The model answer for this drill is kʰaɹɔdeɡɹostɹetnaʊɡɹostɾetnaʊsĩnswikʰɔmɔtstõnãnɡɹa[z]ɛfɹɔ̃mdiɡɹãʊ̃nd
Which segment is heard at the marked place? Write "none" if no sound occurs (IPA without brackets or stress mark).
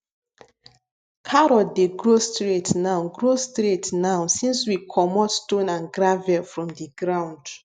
v